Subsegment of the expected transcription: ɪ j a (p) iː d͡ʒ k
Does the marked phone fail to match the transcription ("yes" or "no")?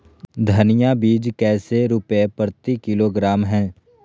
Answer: yes